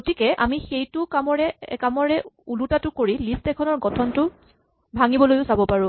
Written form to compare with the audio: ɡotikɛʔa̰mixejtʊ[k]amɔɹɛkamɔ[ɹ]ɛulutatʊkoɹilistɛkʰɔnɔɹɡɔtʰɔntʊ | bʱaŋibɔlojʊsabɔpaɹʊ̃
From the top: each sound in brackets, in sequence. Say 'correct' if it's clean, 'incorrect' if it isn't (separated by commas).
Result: correct, correct